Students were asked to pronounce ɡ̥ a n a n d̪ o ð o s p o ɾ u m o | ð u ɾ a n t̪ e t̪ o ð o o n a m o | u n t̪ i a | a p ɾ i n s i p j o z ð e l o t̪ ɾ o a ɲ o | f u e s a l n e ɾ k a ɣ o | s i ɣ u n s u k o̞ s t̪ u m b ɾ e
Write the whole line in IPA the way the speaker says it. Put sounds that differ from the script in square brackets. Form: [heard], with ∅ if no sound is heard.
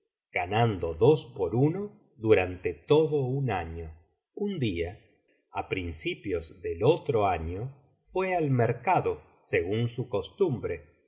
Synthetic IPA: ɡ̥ a n a n d̪ o ð o s p o ɾ u [n] o | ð u ɾ a n t̪ e t̪ o ð o [u] n a [ɲ] o | u n [d̪] i a | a p ɾ i n s i p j o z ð e l o t̪ ɾ o a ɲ o | f [w] e [∅] a l [m] e ɾ k a [ð] o | s [e] ɣ u n s u k o̞ s t̪ u m b ɾ e